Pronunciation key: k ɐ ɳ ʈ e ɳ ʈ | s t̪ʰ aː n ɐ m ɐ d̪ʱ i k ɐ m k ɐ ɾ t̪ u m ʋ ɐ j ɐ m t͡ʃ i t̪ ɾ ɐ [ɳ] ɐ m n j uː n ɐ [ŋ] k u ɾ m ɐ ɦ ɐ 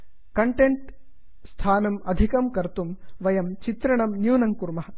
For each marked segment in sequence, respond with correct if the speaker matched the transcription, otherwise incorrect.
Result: correct, correct

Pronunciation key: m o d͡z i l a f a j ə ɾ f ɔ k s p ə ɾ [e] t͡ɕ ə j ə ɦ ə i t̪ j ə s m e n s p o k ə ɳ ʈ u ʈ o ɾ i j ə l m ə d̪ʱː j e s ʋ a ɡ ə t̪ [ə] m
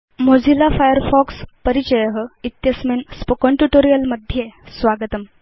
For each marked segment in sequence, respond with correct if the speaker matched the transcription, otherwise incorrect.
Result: incorrect, correct

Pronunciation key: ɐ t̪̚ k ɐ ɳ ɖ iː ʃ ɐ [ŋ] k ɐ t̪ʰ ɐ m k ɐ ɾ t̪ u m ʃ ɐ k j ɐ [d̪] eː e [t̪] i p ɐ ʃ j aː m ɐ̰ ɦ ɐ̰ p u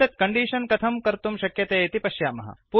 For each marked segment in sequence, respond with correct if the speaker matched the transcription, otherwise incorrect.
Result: incorrect, incorrect, correct

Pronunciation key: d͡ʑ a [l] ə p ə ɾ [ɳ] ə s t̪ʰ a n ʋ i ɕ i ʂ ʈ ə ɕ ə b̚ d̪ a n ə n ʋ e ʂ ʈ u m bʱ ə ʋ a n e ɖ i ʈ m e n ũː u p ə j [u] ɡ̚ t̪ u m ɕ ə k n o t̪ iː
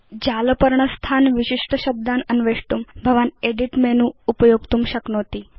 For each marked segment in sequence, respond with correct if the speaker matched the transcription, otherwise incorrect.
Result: correct, correct, incorrect

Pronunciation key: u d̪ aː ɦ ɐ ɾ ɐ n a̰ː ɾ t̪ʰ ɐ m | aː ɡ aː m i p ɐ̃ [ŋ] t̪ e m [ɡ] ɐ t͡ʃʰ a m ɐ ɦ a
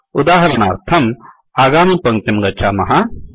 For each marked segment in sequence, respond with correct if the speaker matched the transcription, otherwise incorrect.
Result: correct, correct

